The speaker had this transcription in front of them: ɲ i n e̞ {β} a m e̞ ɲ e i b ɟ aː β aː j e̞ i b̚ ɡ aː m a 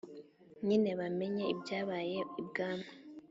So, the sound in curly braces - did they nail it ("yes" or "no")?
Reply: yes